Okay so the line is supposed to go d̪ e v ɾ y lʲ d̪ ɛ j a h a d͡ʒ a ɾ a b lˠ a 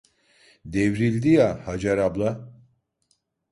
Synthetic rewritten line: d̪ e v ɾ i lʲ d̪ i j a h a d͡ʒ a ɾ a b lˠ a